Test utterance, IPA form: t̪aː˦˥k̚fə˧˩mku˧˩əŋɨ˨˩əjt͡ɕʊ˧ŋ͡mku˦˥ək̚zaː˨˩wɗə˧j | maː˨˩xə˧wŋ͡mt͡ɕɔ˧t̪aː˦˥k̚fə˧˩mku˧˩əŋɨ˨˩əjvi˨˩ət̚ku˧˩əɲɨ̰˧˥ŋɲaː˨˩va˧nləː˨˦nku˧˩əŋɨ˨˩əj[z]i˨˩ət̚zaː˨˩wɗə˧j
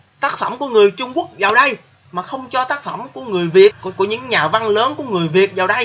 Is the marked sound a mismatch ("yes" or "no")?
yes